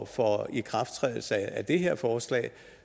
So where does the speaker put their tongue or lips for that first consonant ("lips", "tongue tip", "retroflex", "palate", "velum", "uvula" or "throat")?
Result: lips